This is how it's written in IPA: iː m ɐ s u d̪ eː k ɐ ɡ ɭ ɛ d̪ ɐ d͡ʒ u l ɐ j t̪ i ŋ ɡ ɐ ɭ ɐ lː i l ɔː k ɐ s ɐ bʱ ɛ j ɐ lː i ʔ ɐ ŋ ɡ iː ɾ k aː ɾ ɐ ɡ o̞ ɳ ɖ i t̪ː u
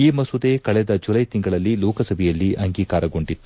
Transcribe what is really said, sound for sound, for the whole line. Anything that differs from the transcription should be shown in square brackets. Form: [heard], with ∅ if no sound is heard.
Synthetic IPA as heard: iː m ɐ s u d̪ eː k ɐ [∅] ɭ ɛ d̪ ɐ d͡ʒ u l ɐ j t̪ i ŋ ɡ ɐ ɭ ɐ lː i l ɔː k ɐ s ɐ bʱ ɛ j ɐ lː i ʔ ɐ ŋ ɡ iː [∅] k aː ɾ ɐ ɡ o̞ ɳ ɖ i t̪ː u